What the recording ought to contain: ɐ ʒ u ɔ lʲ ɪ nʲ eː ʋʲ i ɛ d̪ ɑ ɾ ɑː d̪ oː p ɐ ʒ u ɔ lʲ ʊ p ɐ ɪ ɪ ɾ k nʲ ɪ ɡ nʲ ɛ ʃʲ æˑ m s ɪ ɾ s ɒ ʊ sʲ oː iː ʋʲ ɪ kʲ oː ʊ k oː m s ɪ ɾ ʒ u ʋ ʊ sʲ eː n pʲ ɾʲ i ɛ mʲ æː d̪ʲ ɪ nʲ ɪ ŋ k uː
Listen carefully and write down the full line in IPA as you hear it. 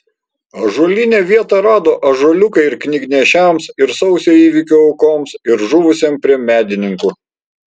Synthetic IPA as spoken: ɐ ʒ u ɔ lʲ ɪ nʲ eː ʋʲ i ɛ t̪ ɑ ɾ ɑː d̪ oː ʔ ɐ ʒ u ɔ lʲ ʊ k ɐ ɪ ɪ ɾ k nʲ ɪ ɡ nʲ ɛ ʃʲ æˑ m s ɪ ɾ s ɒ ʊ sʲ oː iː ʋʲ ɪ kʲ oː ʊ k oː m s ɪ ɾ ʒ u ʋ ʊ sʲ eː m pʲ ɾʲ i ɛ mʲ æː d̪ʲ ɪ nʲ ɪ ŋ k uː

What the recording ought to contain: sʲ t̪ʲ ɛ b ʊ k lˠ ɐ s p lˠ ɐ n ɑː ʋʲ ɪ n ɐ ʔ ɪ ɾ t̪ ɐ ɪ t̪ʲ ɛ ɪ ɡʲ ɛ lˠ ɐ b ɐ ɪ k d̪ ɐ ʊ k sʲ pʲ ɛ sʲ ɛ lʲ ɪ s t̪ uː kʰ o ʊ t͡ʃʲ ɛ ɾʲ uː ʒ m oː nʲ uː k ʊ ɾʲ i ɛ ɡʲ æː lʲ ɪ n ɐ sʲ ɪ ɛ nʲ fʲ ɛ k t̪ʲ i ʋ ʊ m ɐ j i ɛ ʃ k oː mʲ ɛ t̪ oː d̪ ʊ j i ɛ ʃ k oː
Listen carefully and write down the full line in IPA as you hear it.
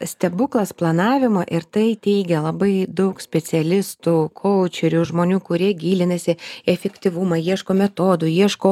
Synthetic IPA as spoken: sʲ t̪ʲ ɛ b ʊ k lˠ ɐ s p lˠ ɐ n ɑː ʋʲ ɪ m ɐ ʔ ɪ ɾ t̪ ɐ ɪ t̪ʲ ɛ ɪ ɡʲ ɛ lˠ ɐ b ɐ ɪ d̪ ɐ ʊ k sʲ pʲ ɛ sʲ ɛ lʲ ɪ s t̪ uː kʰ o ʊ t͡ʃʲ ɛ ɾʲ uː ʒ m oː nʲ uː k ʊ ɾʲ i ɛ ɡʲ iː lʲ ɪ n ɐ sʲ ɪ ɛ fʲ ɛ k t̪ʲ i ʋ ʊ m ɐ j i ɛ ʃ k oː mʲ ɛ t̪ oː d̪ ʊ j i ɛ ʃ k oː

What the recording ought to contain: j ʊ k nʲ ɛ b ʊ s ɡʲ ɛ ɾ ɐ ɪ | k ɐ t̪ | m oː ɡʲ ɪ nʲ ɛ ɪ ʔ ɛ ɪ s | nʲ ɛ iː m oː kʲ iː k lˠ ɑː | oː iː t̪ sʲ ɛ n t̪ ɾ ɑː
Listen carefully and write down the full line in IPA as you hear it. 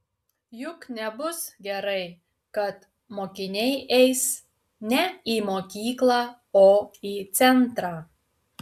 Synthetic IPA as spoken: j ʊ k nʲ ɛ b ʊ s ɡʲ ɛ ɾ ɐ ɪ | k ɐ t̪ | m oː kʲ ɪ nʲ ɛ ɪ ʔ ɛ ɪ s | nʲ ɛ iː m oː kʲ iː k lˠ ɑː | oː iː t̪ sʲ ɛ n t̪ ɾ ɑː

